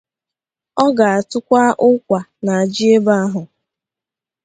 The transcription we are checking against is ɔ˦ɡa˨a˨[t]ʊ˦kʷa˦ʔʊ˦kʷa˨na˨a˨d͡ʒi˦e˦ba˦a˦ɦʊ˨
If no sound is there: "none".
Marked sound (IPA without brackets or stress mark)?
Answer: t